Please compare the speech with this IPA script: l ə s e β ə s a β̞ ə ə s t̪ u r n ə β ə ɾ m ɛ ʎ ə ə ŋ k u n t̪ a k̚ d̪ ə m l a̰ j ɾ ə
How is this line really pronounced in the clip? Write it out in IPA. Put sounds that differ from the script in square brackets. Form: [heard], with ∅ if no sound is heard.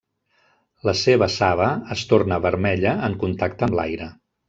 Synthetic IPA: l ə s e β ə s a β̞ ə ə s t̪ [o] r n ə β ə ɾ m ɛ ʎ ə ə ŋ k u n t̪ a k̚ [t̪] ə m l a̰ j ɾ ə